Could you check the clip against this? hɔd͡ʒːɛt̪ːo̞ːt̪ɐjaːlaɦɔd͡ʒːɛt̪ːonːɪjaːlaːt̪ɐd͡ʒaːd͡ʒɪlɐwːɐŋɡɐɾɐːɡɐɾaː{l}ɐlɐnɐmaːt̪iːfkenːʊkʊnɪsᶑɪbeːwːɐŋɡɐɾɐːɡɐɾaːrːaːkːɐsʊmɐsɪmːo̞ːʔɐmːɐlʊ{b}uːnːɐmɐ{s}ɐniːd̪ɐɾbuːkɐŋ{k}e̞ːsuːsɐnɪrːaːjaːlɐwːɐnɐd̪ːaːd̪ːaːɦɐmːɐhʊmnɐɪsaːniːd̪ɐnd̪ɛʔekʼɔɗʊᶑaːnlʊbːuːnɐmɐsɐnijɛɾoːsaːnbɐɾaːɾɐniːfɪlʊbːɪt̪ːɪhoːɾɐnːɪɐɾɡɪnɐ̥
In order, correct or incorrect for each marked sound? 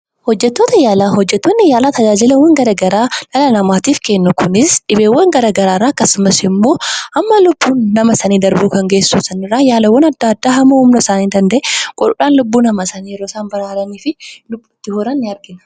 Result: correct, incorrect, correct, incorrect

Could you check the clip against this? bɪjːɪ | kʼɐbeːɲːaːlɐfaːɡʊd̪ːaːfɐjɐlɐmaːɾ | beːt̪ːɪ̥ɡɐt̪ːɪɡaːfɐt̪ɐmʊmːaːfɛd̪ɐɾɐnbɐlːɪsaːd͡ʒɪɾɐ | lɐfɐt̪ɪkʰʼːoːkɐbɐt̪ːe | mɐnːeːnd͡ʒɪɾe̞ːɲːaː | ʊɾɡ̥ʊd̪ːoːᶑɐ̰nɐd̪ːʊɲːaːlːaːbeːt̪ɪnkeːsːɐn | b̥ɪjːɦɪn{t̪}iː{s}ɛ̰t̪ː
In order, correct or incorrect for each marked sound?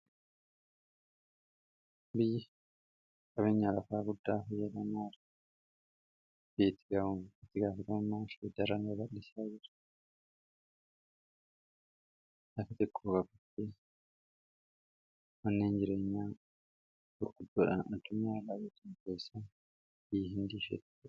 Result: incorrect, incorrect

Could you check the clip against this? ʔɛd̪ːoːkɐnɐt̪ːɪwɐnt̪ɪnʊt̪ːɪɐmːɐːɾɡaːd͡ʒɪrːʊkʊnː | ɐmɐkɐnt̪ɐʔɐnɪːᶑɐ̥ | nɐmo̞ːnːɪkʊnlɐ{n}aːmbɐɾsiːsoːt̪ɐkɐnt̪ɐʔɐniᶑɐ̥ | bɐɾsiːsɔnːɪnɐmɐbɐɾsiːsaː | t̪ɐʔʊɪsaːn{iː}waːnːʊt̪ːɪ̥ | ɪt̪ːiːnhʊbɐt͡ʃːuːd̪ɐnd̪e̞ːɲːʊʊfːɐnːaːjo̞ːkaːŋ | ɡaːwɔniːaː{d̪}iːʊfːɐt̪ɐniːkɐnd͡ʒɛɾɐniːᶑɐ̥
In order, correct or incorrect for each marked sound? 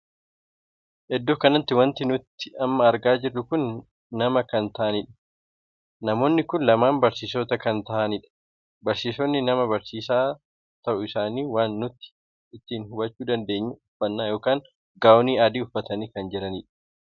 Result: incorrect, correct, correct

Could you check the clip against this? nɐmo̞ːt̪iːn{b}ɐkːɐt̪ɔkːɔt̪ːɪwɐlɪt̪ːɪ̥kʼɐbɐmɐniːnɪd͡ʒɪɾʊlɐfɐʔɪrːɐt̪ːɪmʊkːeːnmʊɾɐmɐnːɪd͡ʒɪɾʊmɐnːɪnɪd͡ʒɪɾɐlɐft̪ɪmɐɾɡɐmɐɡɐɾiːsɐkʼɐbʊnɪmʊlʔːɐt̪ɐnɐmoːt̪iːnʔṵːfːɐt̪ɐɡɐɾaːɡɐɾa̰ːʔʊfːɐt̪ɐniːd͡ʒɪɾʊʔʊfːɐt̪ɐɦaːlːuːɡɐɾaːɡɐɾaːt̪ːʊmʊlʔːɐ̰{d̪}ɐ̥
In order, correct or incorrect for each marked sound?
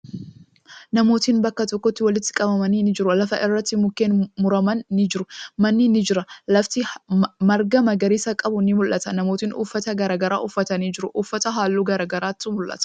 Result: correct, incorrect

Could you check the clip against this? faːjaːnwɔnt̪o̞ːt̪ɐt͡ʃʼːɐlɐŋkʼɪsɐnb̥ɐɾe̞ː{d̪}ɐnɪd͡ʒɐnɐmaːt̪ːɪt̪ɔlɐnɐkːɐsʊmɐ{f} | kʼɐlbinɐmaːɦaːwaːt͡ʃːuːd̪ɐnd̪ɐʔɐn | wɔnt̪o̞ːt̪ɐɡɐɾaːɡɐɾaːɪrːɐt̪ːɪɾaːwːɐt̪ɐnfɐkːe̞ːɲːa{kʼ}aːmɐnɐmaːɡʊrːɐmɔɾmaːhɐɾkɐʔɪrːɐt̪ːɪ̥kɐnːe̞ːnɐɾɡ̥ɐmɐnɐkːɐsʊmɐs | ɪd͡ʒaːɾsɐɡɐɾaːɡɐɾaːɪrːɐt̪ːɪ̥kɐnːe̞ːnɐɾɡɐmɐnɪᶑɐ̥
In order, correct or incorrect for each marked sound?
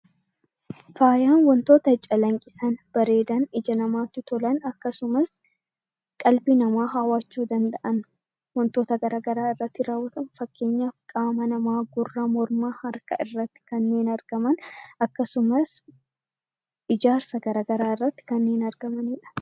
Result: correct, incorrect, correct

